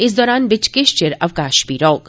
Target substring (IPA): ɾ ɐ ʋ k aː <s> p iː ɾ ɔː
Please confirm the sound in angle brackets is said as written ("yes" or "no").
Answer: no